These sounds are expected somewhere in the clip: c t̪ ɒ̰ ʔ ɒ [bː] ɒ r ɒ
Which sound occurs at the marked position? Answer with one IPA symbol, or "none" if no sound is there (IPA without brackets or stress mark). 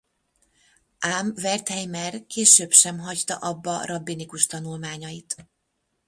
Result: bː